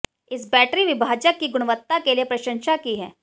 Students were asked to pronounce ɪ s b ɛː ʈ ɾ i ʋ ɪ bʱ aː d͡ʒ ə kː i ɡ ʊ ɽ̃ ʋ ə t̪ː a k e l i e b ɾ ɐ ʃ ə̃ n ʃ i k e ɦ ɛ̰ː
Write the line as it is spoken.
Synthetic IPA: ɪ s b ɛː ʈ ɾ i ʋ ɪ bʱ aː d͡ʒ ə kː i ɡ ʊ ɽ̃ ʋ ə t̪ː a k e l i e p ɾ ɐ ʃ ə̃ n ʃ a k i ɦ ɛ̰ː